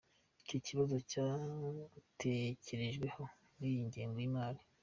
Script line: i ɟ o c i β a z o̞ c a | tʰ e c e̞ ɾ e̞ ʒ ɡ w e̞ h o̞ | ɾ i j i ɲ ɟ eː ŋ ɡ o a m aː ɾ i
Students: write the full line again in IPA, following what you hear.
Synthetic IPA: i c o c i β a z o̞ c a | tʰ e c e̞ ɾ e̞ ʒ ɡ w e̞ h o̞ | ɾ i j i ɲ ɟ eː ŋ ɡ o i m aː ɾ i

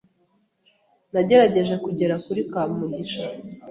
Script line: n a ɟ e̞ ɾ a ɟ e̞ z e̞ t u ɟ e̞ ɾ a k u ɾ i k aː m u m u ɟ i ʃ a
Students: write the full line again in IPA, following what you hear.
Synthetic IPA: n a ɟ e̞ ɾ a ɟ e̞ ʒ e̞ k u ɟ e̞ ɾ a k u ɾ i k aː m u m u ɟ i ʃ a

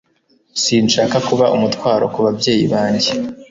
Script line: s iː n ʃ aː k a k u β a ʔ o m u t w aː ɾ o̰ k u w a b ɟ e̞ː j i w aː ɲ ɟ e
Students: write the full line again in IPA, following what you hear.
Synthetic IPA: s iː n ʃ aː k a k u β a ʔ u m u t w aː ɾ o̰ k u β a b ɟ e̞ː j i β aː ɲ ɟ e

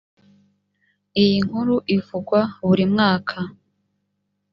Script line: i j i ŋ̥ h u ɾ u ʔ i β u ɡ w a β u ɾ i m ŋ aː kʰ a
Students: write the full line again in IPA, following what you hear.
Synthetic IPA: i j i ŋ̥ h u ɾ u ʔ i v u ɡ w a β u ɾ i m ŋ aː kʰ a

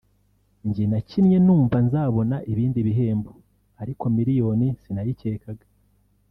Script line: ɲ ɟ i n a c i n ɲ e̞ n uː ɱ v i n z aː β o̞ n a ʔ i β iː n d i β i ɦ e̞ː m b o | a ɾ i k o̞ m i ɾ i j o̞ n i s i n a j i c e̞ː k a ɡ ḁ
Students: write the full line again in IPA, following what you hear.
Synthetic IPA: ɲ ɟ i n a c i n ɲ e̞ n uː ɱ v a n z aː β o̞ n a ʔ i β iː n d i β i ɦ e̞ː m b o | a ɾ i k o̞ m i ɾ i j o̞ n i s i n a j i c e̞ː k a ɡ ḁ

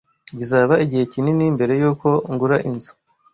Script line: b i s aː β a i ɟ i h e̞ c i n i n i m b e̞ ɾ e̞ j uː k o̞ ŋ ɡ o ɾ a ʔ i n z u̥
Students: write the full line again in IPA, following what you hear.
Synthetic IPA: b i z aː β a i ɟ i h e̞ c i n i n i m b e̞ ɾ e̞ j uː k o̞ ŋ ɡ u ɾ a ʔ i n z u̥

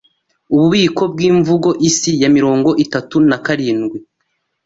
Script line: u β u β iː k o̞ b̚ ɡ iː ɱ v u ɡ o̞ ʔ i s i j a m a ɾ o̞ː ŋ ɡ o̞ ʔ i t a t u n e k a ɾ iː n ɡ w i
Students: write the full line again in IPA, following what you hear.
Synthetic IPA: u β u β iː k o̞ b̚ ɡ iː ɱ v u ɡ o̞ ʔ i s i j a m i ɾ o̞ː ŋ ɡ o̞ ʔ i t a t u n a k a ɾ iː n ɡ w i

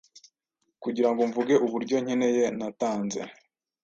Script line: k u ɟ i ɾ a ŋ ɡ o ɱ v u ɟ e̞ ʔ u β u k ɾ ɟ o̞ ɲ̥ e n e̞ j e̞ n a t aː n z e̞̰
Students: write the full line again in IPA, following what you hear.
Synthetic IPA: k u ɟ i ɾ a ŋ ɡ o ɱ v u ɡ e̞ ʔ u β u ɾ ɟ o̞ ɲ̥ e n e̞ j e̞ n a t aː n z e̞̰

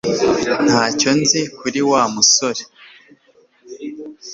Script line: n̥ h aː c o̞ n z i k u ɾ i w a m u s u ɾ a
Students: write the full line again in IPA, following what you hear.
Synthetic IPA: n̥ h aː c o̞ n z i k u ɾ i w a m u s o ɾ e

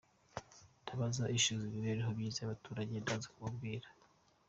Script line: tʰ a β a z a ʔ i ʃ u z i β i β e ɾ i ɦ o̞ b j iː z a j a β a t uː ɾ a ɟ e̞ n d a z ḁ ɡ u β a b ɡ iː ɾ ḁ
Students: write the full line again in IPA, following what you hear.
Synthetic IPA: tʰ a β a z a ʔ i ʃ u z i β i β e ɾ i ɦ o̞ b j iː z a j a β a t uː ɾ a ɟ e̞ n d a z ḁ k u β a b ɡ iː ɾ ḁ

